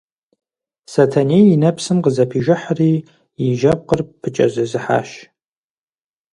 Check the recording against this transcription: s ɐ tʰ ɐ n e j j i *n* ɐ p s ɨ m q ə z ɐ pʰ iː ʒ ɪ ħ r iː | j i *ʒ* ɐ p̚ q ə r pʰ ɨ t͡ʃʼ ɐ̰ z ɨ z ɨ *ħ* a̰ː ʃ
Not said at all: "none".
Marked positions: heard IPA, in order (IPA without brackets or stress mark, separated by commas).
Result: n, ʒ, ħ